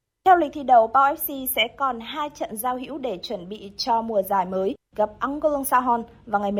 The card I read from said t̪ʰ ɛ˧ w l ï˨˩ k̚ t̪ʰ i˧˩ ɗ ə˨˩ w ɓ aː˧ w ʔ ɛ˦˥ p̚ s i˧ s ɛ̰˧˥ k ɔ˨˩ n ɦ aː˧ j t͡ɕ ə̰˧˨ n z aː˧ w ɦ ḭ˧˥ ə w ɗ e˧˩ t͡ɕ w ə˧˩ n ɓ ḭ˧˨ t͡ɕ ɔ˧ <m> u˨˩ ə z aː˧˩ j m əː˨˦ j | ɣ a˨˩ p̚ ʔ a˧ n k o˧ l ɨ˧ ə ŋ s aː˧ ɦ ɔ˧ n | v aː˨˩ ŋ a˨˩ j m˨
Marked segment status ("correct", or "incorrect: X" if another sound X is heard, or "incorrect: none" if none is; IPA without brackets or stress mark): correct